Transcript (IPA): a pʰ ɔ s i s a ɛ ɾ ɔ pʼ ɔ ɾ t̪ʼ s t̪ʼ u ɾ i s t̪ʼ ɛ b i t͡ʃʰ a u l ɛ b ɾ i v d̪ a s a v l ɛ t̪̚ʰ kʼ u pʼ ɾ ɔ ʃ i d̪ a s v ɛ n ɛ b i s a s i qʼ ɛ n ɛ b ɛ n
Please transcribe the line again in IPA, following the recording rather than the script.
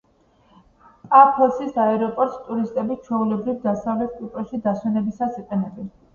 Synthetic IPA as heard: a pʰ ɔ s i s a ɛ ɾ ɔ pʼ ɔ ɾ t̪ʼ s t̪ʼ u ɾ i s t̪ʼ ɛ b i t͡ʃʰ ɛ u l ɛ b ɾ i v d̪ a s a v l ɛ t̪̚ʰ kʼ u pʼ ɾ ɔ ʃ i d̪ a s w ɛ n ɛ b i s a s i qʼ ɛ n ɛ b ɛ n